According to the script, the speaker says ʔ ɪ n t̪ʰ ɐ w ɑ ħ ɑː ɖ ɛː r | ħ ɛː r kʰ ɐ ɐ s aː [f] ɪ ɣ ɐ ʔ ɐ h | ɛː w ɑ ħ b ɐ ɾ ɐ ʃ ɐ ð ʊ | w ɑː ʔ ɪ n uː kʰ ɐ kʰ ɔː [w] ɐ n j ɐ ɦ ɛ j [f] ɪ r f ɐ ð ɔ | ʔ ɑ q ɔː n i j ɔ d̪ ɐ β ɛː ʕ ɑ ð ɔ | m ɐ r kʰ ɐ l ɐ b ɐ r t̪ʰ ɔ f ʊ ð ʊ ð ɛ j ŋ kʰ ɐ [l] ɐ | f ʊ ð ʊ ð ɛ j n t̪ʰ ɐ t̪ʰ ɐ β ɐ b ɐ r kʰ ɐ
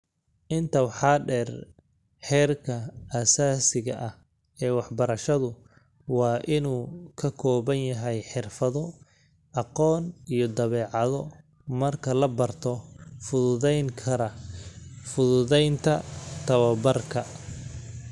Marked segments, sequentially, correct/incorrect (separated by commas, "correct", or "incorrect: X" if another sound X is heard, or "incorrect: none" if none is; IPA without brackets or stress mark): incorrect: s, incorrect: β, incorrect: ħ, incorrect: ɾ